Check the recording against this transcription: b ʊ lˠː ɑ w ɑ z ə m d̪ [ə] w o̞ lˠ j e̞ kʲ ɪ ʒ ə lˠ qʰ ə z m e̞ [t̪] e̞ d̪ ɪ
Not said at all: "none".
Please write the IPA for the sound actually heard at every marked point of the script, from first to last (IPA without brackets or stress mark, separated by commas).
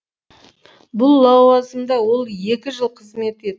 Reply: ɑ, t̪